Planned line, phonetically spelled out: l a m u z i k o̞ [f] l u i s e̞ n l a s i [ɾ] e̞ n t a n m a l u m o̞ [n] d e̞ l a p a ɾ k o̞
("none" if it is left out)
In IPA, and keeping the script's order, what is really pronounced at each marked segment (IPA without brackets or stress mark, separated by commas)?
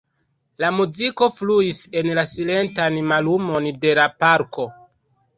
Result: f, l, n